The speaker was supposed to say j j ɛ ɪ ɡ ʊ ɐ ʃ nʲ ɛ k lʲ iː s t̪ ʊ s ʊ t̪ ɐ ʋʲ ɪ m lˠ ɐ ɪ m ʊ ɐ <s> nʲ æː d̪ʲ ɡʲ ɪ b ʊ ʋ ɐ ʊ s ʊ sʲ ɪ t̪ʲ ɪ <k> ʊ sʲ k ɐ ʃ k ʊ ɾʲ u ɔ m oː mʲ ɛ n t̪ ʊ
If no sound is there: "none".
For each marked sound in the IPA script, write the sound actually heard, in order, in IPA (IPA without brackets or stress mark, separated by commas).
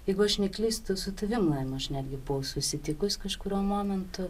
ʃ, k